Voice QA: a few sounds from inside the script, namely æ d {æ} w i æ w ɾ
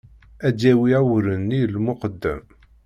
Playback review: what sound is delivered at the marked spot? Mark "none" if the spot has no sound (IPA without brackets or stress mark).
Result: æ